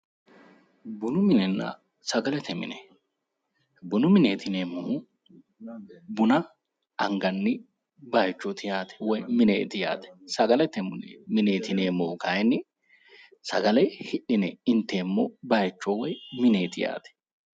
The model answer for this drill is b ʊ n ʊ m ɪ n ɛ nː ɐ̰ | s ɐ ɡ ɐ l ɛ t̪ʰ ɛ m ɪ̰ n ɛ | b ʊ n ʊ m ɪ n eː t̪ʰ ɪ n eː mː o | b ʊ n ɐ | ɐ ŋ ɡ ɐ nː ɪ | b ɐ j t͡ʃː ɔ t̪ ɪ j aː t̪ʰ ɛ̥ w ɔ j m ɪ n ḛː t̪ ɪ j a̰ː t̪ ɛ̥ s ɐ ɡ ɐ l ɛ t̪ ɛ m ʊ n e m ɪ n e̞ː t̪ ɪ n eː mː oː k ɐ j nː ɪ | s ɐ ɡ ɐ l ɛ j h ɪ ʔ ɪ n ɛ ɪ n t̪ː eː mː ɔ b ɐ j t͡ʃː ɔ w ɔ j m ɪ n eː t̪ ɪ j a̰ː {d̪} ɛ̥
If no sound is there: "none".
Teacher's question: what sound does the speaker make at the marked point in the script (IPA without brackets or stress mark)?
t̪